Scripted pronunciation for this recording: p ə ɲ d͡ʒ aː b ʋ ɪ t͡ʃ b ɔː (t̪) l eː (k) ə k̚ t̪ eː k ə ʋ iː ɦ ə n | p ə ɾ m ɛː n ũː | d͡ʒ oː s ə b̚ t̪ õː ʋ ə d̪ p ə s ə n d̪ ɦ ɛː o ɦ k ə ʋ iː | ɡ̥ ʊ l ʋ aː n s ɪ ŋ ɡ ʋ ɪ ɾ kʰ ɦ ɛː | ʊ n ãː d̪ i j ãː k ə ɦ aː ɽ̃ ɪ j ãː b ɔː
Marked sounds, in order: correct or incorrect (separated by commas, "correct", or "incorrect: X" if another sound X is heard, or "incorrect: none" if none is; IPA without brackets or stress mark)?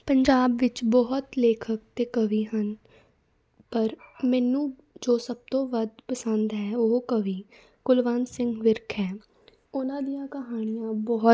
correct, incorrect: kʰ